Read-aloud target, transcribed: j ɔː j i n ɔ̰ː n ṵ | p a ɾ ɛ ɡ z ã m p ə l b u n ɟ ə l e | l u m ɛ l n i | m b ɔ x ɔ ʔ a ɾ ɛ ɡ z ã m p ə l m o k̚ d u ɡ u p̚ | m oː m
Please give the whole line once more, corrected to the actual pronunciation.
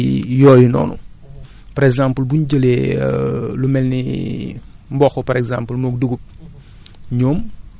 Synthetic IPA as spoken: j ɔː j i n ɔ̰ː n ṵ | p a ɾ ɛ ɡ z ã m p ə l b u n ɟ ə l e | l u m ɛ l n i | m b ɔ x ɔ p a ɾ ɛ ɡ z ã m p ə l m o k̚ d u ɡ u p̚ | ɲ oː m

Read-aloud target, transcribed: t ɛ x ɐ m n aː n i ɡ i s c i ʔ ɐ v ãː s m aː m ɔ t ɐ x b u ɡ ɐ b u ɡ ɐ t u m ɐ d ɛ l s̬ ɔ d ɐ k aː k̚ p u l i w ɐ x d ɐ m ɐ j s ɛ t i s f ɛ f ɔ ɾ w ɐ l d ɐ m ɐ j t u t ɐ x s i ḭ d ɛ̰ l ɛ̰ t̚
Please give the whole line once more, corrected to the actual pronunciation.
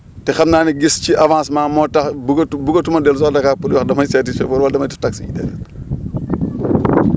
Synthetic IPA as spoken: t ɛ x ɐ m n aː n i ɡ i s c i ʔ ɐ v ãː s m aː m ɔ t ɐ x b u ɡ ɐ b u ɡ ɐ t u m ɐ d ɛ l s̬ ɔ d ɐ k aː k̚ p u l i w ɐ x d ɐ m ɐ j s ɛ t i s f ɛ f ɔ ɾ w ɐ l d ɐ m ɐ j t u t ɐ k s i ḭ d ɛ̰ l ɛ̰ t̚

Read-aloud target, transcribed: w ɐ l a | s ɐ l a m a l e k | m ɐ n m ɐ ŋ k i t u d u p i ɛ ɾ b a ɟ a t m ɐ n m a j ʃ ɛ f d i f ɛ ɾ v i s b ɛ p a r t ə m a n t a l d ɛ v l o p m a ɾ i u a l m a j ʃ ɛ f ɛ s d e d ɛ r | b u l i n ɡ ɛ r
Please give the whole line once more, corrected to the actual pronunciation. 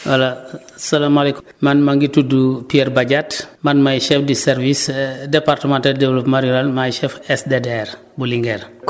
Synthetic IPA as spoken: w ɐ l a | s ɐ l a m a l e k | m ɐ n m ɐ ŋ ɡ i t u d u p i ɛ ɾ b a ɟ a t m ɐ n m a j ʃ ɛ f d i s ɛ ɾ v i s d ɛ p a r t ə m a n t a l d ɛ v l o p m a ɾ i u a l m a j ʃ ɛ f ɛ s d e d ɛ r | b u l i ŋ ɡ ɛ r

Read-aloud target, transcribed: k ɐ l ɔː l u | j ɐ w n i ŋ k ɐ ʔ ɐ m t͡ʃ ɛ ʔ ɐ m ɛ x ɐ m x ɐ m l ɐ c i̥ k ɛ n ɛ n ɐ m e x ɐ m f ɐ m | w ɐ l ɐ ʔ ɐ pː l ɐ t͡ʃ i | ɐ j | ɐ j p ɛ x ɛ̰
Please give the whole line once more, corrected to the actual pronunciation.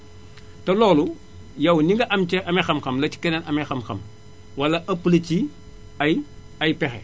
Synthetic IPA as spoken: t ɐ l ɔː l u | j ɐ w n i ŋ ɡ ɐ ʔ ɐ m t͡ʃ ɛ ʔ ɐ m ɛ x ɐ m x ɐ m l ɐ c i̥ k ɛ n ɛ n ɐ m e x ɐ m x ɐ m | w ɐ l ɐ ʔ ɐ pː l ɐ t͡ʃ i | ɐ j | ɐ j p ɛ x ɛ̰

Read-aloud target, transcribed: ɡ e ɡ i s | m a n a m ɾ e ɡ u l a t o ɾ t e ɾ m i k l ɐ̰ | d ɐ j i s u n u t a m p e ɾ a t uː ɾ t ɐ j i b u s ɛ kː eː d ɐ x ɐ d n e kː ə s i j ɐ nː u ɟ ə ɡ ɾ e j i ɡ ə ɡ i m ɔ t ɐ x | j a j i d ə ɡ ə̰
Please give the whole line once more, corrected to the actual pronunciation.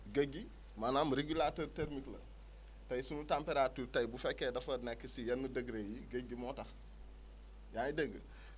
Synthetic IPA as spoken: ɡ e ɡ i | m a n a m ɾ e ɡ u l a t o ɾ t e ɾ m i k l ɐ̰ | t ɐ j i s u n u t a m p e ɾ a t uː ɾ t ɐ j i b u f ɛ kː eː d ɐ f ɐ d n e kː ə s i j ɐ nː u d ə ɡ ɾ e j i ɡ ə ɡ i m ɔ t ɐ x | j a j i d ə ɡ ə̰

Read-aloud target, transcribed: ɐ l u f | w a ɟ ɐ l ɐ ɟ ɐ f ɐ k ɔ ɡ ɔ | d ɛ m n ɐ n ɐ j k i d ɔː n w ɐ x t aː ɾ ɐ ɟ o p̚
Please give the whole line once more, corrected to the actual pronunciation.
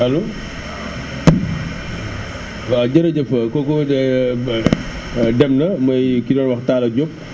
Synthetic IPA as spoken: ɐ l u | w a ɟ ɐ ɾ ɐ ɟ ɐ f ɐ k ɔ k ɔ | d ɛ m n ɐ m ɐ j k i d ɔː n w ɐ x t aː l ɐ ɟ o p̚

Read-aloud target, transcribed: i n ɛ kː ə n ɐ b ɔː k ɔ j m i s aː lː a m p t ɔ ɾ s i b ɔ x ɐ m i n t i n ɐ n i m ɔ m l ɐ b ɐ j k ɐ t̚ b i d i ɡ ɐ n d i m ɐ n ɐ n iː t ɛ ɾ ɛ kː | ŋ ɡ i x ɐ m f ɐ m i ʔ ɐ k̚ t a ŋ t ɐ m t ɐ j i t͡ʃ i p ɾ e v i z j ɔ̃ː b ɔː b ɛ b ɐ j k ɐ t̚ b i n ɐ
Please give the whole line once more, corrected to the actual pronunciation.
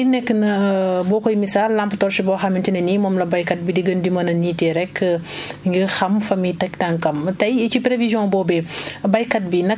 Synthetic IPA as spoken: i n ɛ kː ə n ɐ b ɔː k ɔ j m i s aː lː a m p t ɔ ɾ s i b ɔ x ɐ m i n t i n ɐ n i m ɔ m l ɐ b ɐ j k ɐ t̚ b i d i ɡ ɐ n d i m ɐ n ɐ n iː t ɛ ɾ ɛ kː | ŋ ɡ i x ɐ m f ɐ m i t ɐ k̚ t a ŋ k ɐ m t ɐ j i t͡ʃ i p ɾ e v i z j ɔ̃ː b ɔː b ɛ b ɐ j k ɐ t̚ b i n ɐ

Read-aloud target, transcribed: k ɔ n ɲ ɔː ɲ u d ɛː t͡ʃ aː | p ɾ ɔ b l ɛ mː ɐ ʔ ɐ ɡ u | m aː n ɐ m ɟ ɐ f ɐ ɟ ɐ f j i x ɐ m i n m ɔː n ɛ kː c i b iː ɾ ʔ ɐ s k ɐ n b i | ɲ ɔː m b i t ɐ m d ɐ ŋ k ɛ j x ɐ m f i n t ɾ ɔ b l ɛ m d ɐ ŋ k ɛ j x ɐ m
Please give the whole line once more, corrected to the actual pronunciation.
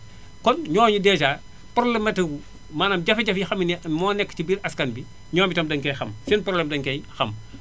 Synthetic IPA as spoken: k ɔ n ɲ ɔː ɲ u d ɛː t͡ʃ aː | p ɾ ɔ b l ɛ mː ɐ t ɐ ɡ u | m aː n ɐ m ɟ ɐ f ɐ ɟ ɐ f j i x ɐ m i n m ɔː n ɛ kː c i b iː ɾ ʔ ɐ s k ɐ n b i | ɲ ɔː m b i t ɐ m d ɐ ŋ k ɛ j x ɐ m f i n p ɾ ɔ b l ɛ m d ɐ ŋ k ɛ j x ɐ m

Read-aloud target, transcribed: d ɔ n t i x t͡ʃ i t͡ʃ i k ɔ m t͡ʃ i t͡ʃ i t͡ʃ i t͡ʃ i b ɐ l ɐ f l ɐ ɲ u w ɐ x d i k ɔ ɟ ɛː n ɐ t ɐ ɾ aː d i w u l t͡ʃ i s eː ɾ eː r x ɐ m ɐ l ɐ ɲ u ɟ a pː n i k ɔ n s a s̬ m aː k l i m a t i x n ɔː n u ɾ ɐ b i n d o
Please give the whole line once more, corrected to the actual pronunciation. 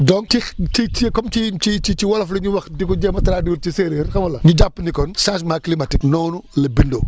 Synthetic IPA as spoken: d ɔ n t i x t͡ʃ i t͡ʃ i k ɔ m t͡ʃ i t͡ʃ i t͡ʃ i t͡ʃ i w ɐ l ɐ f l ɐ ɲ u w ɐ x d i k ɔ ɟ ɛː m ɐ t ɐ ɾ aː d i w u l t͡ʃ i s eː ɾ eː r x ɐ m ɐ l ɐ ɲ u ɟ a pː n i k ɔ n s a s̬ m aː k l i m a t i k n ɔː n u l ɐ b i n d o

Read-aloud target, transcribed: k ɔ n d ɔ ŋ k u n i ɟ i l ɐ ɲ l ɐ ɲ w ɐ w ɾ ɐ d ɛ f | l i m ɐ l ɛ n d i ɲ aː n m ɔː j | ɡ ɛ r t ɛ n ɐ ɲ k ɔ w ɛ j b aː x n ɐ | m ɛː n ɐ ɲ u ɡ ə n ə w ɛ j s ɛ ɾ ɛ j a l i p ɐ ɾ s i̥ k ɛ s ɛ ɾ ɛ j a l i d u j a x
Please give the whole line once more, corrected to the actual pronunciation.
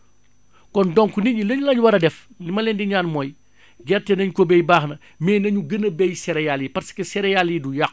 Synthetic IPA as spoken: k ɔ n d ɔ ŋ k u n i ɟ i l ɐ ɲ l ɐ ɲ w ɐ ɾ ɐ d ɛ f | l i m ɐ l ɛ n d i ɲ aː n m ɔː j | ɡ ɛ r t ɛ n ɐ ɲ k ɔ b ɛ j b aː x n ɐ | m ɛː n ɐ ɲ u ɡ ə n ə b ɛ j s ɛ ɾ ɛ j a l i p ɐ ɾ s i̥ k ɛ s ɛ ɾ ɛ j a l i d u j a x

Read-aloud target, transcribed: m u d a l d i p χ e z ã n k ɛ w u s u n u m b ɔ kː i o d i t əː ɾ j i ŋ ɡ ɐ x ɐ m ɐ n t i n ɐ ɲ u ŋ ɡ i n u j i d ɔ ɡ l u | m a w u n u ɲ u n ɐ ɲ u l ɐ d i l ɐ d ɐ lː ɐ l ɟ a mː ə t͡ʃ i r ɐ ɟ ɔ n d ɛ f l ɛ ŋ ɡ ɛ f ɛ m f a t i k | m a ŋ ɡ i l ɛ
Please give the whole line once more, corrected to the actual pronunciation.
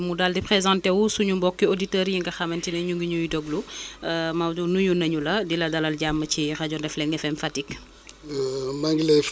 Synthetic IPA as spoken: m u d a l d i p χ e z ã n t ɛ w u s u ɲ u m b ɔ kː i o d i t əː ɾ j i ŋ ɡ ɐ x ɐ m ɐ n t i n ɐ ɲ u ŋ ɡ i ɲ u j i d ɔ ɡ l u | m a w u n u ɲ u n ɐ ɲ u l ɐ d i l ɐ d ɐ l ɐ l ɟ a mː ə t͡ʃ i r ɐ ɟ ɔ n d ɛ f l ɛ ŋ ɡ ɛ f ɛ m f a t i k | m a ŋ ɡ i l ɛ

